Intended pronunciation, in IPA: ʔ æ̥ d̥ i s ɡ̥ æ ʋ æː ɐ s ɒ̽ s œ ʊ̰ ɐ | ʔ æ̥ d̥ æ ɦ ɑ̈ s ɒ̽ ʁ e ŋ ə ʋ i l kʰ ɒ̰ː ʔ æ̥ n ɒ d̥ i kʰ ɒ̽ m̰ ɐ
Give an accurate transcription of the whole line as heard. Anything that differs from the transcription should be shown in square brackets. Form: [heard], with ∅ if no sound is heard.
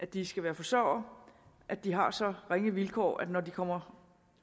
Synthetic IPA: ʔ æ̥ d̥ i s ɡ̥ æ ʋ æː ɐ [f] ɒ̽ s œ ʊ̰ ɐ | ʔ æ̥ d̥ [i] ɦ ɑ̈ s ɒ̽ ʁ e ŋ ə ʋ i l kʰ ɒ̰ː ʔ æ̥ n ɒ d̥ i kʰ ɒ̽ m̰ ɐ